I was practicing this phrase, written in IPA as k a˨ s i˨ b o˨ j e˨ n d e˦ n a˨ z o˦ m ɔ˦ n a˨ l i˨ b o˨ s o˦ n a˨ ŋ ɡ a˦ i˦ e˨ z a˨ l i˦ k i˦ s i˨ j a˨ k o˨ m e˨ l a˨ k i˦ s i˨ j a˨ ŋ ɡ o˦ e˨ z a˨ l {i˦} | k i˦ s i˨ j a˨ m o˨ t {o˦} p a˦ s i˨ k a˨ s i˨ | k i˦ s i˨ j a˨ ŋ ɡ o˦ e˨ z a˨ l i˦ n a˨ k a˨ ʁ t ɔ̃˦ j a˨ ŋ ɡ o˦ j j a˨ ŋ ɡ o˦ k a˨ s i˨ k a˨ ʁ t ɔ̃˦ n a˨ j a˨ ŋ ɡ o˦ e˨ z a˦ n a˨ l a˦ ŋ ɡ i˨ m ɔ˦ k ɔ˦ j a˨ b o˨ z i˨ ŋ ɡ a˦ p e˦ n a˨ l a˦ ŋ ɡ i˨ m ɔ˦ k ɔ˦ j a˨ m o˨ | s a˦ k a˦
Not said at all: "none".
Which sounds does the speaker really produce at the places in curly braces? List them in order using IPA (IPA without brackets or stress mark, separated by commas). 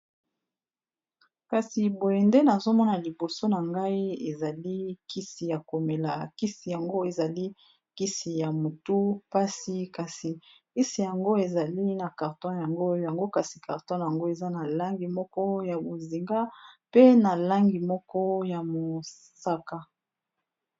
i˦, u˦